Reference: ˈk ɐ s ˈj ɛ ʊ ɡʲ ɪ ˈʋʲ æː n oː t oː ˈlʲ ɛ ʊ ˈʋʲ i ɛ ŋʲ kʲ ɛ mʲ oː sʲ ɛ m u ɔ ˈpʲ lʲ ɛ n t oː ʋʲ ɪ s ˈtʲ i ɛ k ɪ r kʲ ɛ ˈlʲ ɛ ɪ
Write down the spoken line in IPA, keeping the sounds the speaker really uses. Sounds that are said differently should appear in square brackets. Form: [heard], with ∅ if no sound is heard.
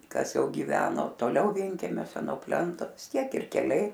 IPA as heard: ˈk ɐ s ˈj ɛ ʊ ɡʲ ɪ ˈʋʲ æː n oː t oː ˈlʲ ɛ ʊ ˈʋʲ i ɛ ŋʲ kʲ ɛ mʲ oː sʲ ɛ [n] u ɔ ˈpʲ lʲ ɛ n t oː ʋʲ ɪ s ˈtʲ i ɛ k ɪ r kʲ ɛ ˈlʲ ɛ ɪ